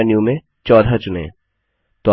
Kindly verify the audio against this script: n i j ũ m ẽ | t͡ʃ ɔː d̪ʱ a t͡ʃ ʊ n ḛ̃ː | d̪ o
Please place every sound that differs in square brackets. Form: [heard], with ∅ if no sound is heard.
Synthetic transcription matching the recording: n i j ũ m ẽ | t͡ʃ ɔː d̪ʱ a t͡ʃ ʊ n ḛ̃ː | [t̪] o